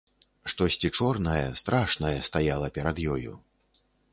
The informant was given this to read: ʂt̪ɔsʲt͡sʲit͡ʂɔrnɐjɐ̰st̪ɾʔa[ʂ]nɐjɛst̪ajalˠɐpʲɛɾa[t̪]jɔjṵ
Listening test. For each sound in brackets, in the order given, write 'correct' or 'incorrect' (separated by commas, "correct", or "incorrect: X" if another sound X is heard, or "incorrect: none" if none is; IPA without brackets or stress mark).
correct, incorrect: d̪